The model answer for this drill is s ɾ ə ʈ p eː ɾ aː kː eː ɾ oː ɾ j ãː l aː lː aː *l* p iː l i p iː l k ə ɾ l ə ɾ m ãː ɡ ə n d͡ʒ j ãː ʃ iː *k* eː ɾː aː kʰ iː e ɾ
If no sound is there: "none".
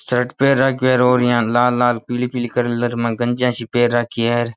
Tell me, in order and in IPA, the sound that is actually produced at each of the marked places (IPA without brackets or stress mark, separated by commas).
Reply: l, p